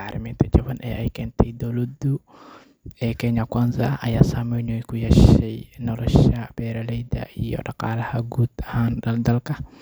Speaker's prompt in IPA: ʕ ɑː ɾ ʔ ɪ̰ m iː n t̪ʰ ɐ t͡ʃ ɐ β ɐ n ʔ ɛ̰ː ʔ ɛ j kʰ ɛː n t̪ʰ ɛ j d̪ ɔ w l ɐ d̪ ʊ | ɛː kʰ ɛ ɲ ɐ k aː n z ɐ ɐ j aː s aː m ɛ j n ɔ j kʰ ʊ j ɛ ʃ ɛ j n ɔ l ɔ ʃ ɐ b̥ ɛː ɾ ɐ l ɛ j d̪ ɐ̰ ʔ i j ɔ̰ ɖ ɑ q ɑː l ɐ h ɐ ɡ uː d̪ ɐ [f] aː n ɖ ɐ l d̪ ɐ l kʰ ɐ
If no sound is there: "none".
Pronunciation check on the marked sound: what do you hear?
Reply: h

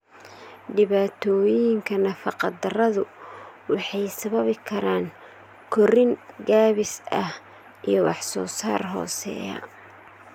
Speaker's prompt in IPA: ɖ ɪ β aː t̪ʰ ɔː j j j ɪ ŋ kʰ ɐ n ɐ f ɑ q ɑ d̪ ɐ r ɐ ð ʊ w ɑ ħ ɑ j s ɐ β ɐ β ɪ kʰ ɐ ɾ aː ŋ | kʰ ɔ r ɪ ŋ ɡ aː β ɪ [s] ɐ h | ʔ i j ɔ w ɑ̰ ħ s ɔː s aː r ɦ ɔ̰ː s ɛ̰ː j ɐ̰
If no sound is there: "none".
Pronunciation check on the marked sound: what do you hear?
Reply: s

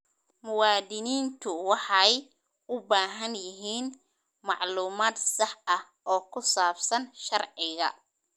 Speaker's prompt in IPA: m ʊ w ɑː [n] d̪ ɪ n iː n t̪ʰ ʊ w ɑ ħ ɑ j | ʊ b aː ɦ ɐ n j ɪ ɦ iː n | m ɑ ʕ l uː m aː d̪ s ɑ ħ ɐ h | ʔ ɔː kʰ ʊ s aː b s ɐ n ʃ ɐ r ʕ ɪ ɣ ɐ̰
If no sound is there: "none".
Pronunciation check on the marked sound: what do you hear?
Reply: none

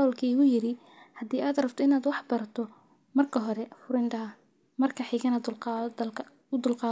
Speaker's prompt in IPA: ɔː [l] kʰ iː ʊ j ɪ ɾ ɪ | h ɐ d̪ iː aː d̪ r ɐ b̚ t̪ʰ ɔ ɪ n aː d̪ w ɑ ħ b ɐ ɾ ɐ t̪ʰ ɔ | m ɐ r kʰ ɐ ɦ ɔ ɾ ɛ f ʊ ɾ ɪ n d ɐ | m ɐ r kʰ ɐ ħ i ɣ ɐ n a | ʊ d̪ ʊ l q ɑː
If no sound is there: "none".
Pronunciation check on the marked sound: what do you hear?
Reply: l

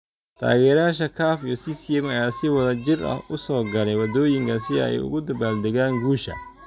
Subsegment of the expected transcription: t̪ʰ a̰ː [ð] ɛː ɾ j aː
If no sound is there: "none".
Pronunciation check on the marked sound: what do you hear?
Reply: ɣ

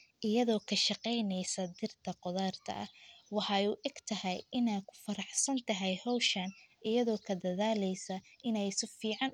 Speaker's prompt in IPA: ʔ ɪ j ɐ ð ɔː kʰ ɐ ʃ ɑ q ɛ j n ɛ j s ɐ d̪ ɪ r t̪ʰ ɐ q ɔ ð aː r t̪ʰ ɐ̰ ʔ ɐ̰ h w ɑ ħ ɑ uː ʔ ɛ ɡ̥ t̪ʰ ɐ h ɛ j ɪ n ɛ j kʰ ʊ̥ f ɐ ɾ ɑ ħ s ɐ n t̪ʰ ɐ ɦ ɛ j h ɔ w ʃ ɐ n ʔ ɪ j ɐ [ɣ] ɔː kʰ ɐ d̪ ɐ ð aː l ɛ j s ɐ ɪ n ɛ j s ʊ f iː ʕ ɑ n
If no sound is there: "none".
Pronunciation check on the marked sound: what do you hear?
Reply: ð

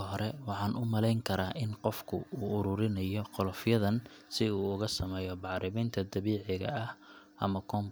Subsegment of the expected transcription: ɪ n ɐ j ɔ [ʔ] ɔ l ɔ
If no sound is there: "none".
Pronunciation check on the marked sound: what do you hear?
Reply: q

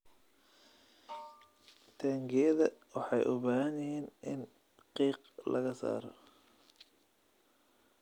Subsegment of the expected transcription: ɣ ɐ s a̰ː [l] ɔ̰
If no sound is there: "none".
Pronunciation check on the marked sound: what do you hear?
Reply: ɾ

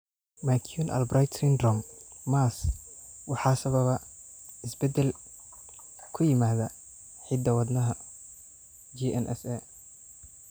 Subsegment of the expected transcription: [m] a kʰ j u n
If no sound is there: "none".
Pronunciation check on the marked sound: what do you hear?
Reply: m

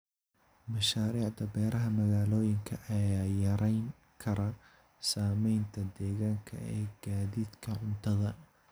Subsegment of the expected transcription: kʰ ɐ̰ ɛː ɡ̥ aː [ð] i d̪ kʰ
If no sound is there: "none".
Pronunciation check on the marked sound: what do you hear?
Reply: ð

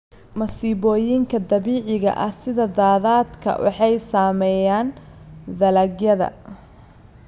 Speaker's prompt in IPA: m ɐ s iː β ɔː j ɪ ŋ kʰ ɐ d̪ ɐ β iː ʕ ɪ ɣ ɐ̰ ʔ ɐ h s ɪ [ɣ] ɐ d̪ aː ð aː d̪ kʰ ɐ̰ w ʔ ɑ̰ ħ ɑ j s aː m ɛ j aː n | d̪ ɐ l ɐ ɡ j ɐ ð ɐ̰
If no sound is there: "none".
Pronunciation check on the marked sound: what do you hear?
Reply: ð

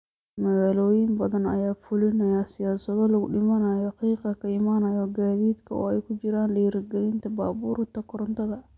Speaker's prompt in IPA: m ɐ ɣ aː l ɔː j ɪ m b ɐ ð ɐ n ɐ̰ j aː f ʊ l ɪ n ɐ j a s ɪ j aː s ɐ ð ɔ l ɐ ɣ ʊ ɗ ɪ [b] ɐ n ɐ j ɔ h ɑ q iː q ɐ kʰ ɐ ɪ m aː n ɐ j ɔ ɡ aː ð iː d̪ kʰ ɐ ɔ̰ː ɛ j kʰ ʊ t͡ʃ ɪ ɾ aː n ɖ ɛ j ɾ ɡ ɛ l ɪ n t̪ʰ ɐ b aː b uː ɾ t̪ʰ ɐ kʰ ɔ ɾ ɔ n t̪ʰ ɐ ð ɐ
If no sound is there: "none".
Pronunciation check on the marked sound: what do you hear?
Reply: m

